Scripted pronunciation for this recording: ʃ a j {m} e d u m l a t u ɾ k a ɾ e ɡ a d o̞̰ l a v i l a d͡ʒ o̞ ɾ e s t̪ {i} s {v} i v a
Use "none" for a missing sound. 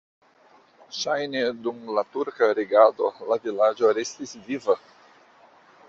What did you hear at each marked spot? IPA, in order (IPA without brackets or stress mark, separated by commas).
n, i, v